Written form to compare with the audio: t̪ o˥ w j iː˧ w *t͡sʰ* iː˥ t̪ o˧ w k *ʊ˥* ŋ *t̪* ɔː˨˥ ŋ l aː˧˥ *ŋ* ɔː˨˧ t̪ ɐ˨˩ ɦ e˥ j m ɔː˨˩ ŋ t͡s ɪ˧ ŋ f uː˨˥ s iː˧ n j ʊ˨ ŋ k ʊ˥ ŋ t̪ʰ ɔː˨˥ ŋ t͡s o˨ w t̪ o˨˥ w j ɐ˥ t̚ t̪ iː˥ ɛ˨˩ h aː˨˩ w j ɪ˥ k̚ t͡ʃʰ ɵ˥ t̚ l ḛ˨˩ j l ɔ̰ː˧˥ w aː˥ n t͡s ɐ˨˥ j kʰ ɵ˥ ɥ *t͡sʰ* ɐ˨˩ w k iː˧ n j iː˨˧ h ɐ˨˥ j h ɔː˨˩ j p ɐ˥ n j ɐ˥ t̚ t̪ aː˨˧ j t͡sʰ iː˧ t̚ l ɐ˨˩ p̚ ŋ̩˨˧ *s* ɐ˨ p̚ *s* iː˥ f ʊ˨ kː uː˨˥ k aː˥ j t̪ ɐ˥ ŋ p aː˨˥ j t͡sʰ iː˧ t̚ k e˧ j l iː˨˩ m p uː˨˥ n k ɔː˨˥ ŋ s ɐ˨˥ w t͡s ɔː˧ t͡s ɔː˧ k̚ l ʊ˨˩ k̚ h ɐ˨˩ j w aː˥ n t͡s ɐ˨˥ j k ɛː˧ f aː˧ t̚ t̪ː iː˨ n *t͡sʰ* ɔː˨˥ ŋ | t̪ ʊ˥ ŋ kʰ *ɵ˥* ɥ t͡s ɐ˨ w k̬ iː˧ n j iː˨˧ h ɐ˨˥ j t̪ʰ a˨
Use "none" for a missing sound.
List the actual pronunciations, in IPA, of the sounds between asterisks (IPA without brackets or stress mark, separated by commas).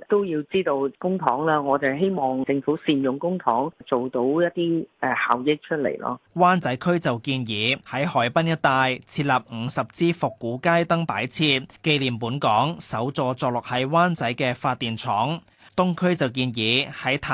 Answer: t͡s, ʊ˥, t̪ʰ, ŋ, t͡s, s, t͡s, t͡sʰ, ɵ˥